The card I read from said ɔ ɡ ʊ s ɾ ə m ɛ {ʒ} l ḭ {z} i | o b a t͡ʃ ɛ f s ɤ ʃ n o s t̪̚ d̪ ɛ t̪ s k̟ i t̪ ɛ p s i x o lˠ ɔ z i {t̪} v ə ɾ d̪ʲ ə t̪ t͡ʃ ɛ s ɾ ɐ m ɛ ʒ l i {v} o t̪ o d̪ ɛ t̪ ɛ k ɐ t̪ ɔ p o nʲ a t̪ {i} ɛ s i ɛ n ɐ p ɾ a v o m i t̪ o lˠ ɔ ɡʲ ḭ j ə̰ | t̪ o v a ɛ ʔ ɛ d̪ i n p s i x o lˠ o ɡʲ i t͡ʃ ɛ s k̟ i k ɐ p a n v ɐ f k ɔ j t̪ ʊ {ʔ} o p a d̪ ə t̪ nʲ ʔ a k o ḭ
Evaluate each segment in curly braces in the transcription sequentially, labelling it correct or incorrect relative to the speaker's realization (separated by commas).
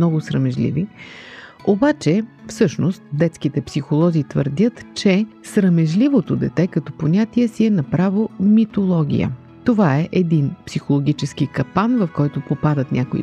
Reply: correct, incorrect, correct, correct, correct, incorrect